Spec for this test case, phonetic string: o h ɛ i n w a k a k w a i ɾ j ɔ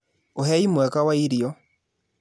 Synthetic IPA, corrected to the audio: o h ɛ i m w ɛ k a w a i ɾ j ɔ